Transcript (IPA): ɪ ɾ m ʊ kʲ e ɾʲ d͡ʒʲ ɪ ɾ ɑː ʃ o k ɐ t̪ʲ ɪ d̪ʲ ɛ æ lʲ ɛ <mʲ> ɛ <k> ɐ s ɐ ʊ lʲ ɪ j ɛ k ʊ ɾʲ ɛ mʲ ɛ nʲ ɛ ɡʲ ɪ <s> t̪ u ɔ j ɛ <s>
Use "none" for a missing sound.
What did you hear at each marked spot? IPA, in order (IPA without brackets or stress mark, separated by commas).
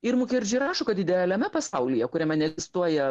mʲ, p, s, none